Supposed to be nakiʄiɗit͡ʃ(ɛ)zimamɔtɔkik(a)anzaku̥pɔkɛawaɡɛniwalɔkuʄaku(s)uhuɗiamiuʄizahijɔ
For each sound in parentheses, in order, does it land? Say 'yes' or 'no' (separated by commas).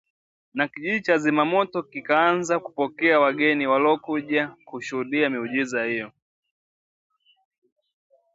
no, yes, no